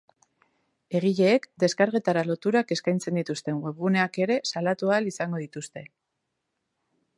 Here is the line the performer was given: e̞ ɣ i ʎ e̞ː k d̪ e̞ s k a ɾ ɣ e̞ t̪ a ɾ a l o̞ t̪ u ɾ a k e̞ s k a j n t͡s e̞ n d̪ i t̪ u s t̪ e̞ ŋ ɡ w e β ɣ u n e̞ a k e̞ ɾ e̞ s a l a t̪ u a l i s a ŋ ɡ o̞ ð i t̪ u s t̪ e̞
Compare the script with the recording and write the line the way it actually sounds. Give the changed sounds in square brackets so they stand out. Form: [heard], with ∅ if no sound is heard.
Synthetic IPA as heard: e̞ ɣ i ʎ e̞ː k d̪ e̞ s k a ɾ ɣ e̞ t̪ a ɾ a l o̞ t̪ u ɾ a k e̞ s k a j n t͡s e̞ n d̪ i t̪ u s t̪ e̞ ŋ ɡ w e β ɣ u n e̞ a k e̞ ɾ e̞ s a l a t̪ u a l i s a ŋ ɡ o̞ ð i t̪ u s t̪ e̞